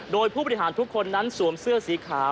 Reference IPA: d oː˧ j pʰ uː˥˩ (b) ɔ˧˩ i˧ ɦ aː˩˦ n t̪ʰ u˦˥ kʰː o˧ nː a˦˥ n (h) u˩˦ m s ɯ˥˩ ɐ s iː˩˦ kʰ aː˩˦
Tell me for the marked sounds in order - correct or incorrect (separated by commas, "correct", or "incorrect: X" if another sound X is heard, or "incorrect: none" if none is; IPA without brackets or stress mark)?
correct, incorrect: s